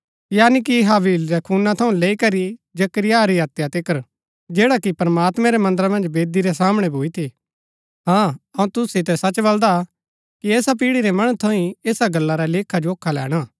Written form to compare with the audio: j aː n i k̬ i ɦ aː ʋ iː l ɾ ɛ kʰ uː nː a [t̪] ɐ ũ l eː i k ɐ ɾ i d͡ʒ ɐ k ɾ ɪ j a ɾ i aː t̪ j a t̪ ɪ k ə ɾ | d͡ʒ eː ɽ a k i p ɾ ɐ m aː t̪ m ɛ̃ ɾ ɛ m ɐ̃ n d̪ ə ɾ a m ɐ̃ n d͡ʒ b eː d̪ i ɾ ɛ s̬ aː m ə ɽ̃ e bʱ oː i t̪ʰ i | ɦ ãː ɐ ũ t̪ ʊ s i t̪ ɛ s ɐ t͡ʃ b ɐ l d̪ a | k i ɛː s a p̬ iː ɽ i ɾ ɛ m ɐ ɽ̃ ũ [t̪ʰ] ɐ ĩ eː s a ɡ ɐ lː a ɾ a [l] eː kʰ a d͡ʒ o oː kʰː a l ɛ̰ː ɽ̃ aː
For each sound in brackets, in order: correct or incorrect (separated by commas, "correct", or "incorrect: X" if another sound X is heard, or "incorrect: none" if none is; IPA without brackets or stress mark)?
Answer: incorrect: t̪ʰ, correct, correct